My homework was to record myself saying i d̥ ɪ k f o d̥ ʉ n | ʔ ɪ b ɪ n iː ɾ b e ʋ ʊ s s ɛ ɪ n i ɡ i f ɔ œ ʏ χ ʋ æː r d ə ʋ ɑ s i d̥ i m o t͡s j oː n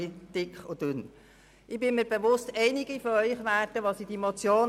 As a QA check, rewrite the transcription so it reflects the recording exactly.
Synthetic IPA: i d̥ ɪ k χ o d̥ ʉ n | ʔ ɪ b ɪ m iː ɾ b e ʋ ʊ s t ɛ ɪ n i ɡ i f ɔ œ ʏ χ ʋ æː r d ə ʋ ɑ s i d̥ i m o t͡s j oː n